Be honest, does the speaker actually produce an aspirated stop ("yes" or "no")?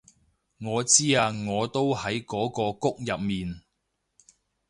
no